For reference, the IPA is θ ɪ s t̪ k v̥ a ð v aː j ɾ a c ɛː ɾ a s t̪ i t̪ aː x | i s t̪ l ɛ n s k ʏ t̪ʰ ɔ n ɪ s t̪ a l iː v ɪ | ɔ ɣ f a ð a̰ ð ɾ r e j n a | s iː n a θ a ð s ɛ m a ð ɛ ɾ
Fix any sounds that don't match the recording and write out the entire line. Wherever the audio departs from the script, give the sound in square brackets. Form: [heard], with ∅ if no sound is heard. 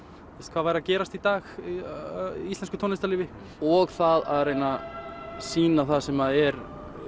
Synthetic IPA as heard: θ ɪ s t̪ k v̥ a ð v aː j ɾ a c ɛː ɾ a s t̪ i t̪ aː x | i s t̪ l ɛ n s k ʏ t̪ʰ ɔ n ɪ s t̪ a l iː v ɪ | ɔ ɣ [θ] a ð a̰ ð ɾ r e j n a | s iː n a θ a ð s ɛ m a ð ɛ ɾ